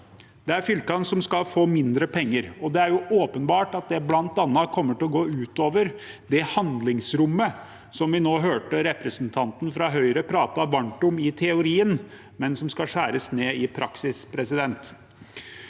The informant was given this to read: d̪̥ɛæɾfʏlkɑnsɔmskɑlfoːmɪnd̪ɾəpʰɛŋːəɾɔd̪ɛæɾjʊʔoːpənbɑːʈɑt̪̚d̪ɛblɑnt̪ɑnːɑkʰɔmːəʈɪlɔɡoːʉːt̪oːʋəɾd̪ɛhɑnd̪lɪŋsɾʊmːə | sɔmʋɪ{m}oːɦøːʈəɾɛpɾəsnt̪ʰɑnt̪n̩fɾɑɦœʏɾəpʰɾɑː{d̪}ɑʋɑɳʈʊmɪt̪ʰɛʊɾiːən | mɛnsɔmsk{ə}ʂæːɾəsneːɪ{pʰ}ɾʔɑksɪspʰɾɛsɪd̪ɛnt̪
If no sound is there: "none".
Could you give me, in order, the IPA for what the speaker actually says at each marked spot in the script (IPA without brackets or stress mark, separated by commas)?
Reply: n, t̪, ɑ, pʰ